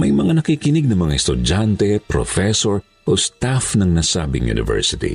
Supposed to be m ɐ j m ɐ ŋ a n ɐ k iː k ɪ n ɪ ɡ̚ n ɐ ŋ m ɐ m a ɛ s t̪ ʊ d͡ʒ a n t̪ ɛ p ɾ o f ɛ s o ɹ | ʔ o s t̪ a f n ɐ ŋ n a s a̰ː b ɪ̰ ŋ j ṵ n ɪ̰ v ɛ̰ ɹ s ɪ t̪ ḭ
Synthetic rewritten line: m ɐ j m ɐ ŋ a n ɐ k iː k ɪ n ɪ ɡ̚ n ɐ ŋ m ɐ ŋ a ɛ s t̪ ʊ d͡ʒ a n t̪ ɛ p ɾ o f ɛ s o ɹ | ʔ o s t̪ a f n ɐ ŋ n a s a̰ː b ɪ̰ ŋ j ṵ n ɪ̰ v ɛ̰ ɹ s ɪ t̪ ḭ